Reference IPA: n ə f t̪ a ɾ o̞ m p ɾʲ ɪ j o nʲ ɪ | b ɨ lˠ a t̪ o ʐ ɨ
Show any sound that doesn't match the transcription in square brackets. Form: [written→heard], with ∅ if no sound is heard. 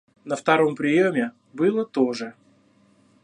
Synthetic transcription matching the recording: n ə f t̪ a ɾ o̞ m p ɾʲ ɪ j o [nʲ→mʲ] ɪ | b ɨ lˠ [a→ə] t̪ o ʐ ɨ